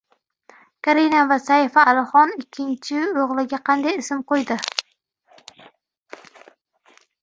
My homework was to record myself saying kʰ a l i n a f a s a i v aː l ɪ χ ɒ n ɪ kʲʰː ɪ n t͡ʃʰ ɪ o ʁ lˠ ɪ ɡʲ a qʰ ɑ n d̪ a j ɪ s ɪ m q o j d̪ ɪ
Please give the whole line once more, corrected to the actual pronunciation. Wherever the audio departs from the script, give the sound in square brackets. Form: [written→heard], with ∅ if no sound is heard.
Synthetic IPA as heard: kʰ a [l→ɾ] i n a [f→v] a s a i [v→f] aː l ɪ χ ɒ n ɪ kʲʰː ɪ n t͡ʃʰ ɪ o ʁ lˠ ɪ ɡʲ a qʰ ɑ n d̪ a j ɪ s ɪ m q o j d̪ ɪ